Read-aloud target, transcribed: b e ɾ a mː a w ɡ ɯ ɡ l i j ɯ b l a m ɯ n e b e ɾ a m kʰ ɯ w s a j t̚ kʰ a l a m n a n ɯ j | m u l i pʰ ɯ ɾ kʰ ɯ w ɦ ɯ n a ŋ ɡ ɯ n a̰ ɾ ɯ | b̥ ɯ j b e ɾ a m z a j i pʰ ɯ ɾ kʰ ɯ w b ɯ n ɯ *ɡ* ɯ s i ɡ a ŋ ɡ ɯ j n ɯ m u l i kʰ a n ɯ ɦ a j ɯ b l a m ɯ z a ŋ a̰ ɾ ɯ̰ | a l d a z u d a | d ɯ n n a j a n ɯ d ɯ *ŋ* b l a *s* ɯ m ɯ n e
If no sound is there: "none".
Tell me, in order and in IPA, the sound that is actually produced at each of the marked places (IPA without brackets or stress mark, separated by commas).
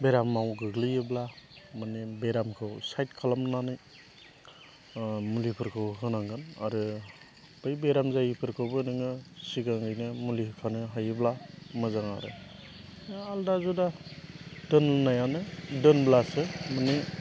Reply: ŋ, n, s